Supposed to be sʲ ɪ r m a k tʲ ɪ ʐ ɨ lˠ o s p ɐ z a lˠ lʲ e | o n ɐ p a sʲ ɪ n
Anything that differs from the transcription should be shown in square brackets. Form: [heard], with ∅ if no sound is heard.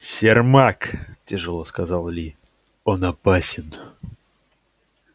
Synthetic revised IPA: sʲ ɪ r m a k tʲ ɪ ʐ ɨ lˠ o s [k] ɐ z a lˠ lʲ [i] | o n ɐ p a sʲ ɪ n